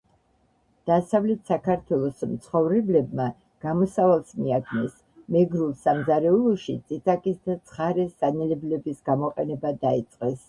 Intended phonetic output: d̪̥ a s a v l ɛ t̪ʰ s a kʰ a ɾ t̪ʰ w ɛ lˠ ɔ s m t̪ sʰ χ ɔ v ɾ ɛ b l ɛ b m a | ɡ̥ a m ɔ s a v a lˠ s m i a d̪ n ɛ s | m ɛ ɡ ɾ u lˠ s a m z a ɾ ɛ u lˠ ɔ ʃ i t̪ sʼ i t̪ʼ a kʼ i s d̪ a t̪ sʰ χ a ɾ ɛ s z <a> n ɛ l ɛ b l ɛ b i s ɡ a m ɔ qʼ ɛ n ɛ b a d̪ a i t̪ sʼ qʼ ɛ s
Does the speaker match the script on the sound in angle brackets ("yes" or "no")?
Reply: yes